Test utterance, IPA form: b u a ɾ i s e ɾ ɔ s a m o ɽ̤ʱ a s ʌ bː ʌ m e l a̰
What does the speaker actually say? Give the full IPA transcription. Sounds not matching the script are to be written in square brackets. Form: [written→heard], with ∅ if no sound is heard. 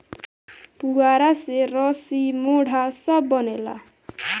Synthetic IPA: [b→p] u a ɾ [i→a] s e ɾ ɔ s [a→i] m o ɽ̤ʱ a s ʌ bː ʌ [m→n] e l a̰